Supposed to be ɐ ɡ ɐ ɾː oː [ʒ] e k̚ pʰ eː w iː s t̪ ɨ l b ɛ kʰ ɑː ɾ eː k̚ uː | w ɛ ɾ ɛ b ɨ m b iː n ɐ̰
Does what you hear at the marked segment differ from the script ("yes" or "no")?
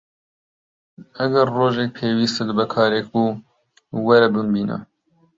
no